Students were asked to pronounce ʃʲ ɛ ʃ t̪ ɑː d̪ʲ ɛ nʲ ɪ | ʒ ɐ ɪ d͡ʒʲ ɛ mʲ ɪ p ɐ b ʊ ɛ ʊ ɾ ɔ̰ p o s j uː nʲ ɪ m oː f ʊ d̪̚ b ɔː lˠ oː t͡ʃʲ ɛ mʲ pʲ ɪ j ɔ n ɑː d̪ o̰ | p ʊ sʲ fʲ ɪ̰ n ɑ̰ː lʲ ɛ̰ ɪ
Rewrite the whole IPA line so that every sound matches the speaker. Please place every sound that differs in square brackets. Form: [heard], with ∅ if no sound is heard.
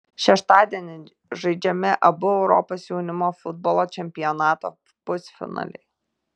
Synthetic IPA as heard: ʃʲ ɛ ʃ t̪ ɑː d̪ʲ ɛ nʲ ɪ | ʒ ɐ ɪ d͡ʒʲ ɛ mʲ ɪ [ʔ] ɐ b ʊ ɛ ʊ ɾ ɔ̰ p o s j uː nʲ ɪ m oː f ʊ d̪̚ b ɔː lˠ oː t͡ʃʲ ɛ mʲ pʲ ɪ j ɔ n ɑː [t̪] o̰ | p ʊ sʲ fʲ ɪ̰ n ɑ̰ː lʲ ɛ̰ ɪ